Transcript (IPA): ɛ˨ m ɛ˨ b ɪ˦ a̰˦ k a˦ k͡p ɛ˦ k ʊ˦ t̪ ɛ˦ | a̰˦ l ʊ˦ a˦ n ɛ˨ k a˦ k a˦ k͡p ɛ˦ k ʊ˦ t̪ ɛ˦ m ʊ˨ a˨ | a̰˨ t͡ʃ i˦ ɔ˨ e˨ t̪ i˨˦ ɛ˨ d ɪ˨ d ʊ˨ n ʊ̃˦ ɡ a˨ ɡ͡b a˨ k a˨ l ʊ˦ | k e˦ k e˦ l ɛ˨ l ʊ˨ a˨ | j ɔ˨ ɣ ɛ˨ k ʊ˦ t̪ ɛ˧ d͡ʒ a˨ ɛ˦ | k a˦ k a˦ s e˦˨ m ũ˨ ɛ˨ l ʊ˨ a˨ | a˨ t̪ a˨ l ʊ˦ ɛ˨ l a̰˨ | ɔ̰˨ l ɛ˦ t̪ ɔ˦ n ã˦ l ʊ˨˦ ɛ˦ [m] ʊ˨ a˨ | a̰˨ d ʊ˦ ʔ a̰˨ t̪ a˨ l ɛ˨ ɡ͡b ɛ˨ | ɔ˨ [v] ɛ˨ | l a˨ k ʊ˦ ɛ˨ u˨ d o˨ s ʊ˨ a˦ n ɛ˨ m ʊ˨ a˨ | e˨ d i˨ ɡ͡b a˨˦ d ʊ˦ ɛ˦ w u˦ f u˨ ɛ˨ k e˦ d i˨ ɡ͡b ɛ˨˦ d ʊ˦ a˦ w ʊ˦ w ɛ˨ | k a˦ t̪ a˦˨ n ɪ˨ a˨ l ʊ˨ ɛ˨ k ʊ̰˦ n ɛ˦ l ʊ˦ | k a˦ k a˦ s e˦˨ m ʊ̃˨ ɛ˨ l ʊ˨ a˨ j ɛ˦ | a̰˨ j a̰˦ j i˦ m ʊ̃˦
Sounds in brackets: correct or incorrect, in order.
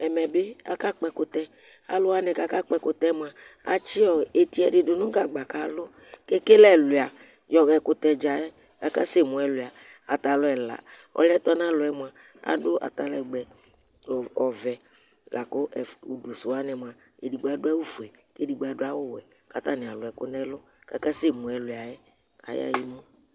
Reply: correct, correct

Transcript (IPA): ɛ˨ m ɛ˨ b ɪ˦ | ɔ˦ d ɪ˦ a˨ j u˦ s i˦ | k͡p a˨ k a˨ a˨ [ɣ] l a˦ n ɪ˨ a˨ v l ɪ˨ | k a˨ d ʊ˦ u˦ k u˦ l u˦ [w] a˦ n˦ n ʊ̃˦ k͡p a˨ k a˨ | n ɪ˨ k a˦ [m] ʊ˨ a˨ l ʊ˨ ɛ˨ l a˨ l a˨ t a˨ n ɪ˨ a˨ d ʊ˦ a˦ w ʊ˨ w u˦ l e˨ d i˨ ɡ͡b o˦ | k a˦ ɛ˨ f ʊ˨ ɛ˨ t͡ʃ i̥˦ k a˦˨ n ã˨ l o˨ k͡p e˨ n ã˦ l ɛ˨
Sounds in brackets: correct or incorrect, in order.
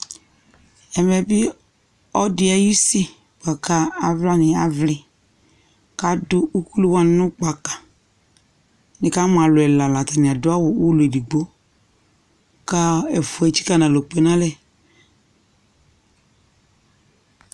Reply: incorrect, correct, correct

